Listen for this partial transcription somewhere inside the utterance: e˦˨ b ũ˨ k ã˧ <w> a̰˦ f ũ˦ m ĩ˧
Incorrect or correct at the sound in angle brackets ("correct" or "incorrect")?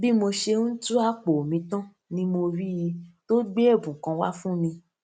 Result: correct